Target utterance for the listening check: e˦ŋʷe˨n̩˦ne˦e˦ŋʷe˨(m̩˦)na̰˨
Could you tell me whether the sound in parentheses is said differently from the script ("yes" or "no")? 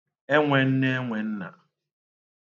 yes